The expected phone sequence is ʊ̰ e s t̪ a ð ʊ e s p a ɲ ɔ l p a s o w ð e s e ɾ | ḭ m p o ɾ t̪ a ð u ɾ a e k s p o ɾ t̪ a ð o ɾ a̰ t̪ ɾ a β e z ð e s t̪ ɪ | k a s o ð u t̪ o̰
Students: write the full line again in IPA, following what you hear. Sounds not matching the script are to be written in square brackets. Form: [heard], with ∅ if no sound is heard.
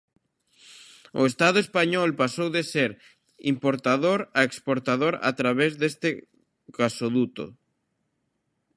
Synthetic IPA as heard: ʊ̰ e s t̪ a ð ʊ e s p a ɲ ɔ l p a s o w ð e s e ɾ | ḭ m p o ɾ t̪ a ð [o] ɾ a e k s p o ɾ t̪ a ð o ɾ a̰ t̪ ɾ a β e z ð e s t̪ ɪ | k a s o ð u t̪ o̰